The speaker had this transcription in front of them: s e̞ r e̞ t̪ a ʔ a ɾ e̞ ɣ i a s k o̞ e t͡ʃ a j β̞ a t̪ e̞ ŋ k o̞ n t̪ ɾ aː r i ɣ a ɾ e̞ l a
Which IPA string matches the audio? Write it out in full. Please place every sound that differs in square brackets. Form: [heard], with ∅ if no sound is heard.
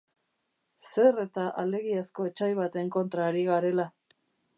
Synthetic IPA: s e̞ r e̞ t̪ a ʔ a [l] e̞ ɣ i a s k o̞ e t͡ʃ a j β̞ a t̪ e̞ ŋ k o̞ n t̪ ɾ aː [ɾ] i ɣ a ɾ e̞ l a